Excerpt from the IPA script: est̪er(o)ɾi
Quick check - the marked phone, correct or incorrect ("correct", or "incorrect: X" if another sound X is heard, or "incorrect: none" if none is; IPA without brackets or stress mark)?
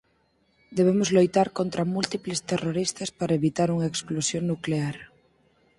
correct